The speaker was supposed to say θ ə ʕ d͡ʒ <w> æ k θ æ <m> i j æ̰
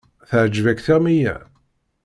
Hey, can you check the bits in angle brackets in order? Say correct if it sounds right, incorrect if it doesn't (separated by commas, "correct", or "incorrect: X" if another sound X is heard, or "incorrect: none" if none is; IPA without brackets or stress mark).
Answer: incorrect: v, correct